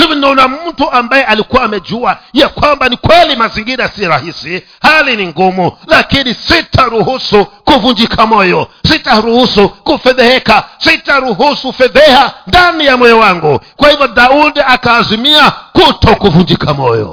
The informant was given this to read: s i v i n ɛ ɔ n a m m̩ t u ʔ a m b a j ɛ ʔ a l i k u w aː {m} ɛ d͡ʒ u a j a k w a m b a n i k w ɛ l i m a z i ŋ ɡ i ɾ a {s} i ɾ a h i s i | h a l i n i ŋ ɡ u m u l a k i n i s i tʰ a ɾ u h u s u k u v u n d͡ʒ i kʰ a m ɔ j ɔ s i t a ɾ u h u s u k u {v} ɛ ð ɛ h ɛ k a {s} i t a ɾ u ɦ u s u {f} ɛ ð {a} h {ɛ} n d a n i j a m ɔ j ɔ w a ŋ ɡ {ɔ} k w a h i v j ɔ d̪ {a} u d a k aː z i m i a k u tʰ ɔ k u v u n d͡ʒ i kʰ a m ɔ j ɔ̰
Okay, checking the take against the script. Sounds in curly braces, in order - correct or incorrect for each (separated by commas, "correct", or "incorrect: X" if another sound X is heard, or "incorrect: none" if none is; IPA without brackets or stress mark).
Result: correct, correct, incorrect: f, correct, correct, incorrect: ɛ, incorrect: a, incorrect: u, correct